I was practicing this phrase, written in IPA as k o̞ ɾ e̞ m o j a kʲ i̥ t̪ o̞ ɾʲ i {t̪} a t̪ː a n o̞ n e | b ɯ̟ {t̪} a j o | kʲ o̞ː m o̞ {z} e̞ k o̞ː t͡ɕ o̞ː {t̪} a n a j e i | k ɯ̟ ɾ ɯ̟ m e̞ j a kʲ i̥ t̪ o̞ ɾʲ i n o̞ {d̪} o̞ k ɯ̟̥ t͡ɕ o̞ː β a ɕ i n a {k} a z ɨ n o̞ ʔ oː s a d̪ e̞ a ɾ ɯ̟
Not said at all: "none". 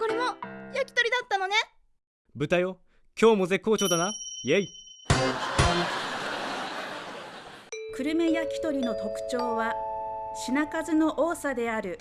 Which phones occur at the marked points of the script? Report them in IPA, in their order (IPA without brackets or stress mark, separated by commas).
d̪, t̪, z, d̪, t̪, k